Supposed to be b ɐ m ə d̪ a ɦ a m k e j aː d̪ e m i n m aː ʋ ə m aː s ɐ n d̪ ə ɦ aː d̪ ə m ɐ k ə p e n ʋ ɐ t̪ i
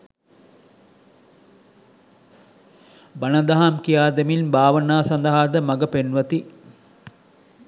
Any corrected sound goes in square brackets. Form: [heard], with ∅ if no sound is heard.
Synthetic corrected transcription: b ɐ [n] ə d̪ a ɦ a m k [i] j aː d̪ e m i n [b] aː ʋ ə [n] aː s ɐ n d̪ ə ɦ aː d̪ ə m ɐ [ɡ] ə p e n ʋ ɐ t̪ i